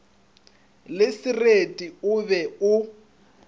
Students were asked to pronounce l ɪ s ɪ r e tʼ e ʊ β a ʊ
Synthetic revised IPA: l ɪ s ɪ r e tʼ i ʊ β ɛ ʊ